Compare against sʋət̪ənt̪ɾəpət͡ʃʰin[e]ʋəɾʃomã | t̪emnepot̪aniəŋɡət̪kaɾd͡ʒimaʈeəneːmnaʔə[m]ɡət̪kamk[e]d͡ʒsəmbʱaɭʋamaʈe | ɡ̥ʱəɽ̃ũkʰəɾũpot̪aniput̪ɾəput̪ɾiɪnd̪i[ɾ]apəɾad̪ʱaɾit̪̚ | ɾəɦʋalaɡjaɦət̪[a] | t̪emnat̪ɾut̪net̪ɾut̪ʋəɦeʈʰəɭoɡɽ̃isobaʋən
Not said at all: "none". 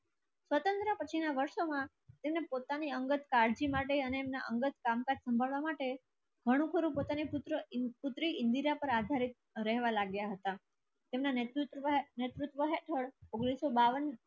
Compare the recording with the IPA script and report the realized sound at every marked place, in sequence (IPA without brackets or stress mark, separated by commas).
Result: a, ŋ, a, ɾ, a